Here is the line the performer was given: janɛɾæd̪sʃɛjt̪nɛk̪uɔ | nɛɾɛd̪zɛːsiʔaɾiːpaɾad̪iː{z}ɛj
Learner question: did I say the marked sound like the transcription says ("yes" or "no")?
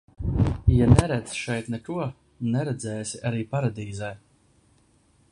yes